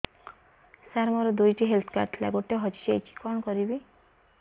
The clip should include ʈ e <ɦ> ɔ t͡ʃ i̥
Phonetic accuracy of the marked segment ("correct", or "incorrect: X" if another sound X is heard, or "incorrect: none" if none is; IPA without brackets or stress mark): correct